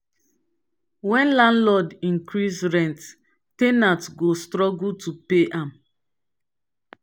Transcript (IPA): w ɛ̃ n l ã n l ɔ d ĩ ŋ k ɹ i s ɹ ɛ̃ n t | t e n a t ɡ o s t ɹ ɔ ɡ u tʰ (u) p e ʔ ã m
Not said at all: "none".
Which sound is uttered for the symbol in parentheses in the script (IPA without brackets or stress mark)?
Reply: u